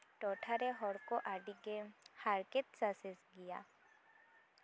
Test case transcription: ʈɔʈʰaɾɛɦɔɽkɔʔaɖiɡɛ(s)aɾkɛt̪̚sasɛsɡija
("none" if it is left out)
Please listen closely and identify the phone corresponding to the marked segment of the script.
h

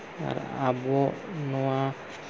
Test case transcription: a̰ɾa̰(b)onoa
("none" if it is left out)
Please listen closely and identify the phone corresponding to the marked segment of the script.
b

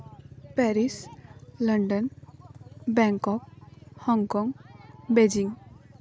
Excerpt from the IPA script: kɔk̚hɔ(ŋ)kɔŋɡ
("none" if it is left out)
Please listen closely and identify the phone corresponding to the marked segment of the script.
ŋ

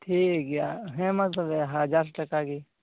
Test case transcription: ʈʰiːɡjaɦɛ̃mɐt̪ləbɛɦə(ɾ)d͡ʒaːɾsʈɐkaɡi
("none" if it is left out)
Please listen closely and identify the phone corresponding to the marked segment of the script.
none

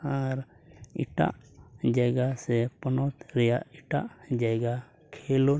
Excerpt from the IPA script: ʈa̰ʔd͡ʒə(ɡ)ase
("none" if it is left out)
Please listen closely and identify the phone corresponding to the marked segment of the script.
ɡ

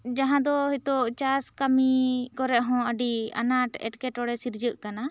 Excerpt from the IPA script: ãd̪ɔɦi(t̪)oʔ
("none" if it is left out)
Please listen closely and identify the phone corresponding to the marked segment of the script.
t̪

